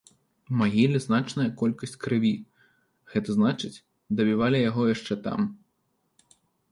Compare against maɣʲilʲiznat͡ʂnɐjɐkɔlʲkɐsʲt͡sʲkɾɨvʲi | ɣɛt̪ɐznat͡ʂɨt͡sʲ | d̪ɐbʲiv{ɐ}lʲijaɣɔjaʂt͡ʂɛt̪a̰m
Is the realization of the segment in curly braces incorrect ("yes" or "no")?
yes